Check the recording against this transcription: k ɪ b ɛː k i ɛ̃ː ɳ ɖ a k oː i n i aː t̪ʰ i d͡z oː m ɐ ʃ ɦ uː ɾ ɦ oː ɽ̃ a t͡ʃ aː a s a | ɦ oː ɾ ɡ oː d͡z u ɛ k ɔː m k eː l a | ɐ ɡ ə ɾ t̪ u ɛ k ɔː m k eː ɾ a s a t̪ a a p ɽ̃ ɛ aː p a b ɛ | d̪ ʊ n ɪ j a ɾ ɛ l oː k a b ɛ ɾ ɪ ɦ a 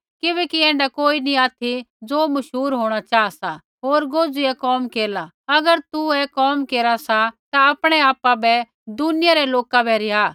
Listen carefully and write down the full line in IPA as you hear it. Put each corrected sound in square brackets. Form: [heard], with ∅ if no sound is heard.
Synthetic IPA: k ɪ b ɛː k i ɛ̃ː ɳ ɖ a k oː i n i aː t̪ʰ i d͡z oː m ɐ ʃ ɦ uː ɾ ɦ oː ɽ̃ a t͡ʃ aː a s a | ɦ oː ɾ ɡ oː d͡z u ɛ k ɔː m k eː l a | ɐ ɡ ə ɾ t̪ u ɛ k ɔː m k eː ɾ a s a t̪ a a p ɽ̃ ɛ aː p a b ɛ | d̪ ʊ n ɪ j a ɾ ɛ l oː k a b ɛ ɾ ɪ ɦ a

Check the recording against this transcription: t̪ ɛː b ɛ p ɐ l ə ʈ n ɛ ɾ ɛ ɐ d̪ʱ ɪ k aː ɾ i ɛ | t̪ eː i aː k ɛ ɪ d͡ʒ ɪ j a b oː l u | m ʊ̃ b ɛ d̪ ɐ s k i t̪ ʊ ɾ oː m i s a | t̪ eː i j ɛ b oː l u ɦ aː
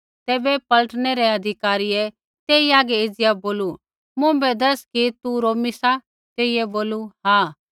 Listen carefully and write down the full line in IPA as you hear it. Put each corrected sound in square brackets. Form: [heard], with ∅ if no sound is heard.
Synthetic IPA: t̪ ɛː b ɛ p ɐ l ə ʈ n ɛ ɾ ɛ ɐ d̪ʱ ɪ k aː ɾ i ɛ | t̪ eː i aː [ɡ] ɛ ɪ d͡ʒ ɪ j a b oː l u | m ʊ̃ b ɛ d̪ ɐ s k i t̪ [u] ɾ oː m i s a | t̪ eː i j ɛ b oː l u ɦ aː

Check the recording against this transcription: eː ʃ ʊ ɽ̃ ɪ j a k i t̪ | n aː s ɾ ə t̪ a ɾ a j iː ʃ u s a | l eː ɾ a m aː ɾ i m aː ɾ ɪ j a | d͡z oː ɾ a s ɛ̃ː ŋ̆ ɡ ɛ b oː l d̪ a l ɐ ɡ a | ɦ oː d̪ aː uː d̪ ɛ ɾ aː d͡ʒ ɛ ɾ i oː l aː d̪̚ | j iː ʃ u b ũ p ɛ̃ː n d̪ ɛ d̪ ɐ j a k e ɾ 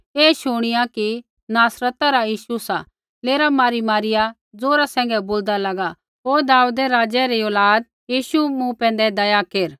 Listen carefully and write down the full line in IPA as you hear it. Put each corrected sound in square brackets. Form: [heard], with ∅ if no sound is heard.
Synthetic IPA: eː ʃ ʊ ɽ̃ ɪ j a k i [∅] | n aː s ɾ ə t̪ a ɾ a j iː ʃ u s a | l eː ɾ a m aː ɾ i m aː ɾ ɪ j a | d͡z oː ɾ a s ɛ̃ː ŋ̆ ɡ ɛ b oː l d̪ a l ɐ ɡ a | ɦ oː d̪ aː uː d̪ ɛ ɾ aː d͡ʒ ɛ ɾ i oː l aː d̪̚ | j iː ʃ u [m] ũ p ɛ̃ː n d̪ ɛ d̪ ɐ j a k e ɾ

